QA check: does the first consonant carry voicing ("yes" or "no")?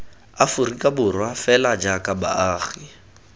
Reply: no